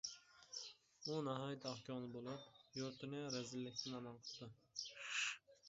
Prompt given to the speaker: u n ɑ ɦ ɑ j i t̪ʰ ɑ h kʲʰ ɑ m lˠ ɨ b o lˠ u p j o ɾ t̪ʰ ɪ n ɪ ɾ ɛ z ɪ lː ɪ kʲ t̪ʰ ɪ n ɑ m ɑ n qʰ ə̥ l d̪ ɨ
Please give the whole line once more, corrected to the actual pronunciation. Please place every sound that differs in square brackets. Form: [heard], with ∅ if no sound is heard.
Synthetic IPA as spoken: u n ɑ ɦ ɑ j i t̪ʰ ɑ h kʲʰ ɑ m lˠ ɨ b o lˠ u p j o ɾ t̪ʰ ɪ n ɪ ɾ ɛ z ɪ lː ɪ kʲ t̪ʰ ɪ n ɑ m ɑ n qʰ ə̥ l d̪ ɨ